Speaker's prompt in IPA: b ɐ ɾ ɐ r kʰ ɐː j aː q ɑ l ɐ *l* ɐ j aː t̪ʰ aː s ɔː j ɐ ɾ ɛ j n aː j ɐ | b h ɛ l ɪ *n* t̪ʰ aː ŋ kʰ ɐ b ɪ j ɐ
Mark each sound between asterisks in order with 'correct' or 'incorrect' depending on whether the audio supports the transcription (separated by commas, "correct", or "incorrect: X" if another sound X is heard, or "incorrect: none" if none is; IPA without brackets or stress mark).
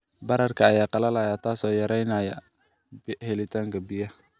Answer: correct, incorrect: none